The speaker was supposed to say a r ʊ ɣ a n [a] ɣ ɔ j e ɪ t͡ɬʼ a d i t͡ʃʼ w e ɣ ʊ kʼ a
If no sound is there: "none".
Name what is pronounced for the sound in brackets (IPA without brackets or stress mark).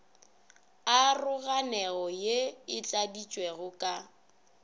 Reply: ɛ